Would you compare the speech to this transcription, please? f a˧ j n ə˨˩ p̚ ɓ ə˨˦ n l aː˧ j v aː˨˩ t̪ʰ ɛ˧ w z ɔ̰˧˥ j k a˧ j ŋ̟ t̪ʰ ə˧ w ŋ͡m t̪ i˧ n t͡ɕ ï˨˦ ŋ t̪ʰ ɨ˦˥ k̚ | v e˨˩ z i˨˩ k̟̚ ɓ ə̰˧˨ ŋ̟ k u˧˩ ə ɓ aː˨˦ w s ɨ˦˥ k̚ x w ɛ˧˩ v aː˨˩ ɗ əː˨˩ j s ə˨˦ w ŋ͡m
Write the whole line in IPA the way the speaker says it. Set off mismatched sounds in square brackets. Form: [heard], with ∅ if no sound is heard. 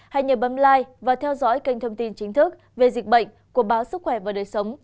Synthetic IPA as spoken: [h] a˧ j [ɲ] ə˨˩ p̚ ɓ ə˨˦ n l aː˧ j v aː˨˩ t̪ʰ ɛ˧ w z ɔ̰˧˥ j k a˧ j ŋ̟ t̪ʰ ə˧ w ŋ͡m t̪ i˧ n t͡ɕ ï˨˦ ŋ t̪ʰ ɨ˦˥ k̚ | v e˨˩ z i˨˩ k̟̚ ɓ ə̰˧˨ ŋ̟ k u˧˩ ə ɓ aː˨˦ w s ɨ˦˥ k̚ x w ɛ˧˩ v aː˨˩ ɗ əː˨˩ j s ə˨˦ w ŋ͡m